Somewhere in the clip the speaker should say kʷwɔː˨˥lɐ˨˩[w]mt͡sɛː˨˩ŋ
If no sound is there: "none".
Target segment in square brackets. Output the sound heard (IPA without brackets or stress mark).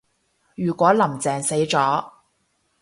none